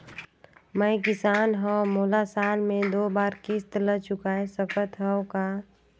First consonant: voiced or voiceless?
voiced